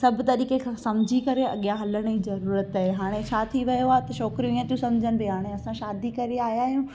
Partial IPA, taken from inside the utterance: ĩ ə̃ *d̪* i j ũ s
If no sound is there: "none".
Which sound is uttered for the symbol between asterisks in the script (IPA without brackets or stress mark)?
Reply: t̪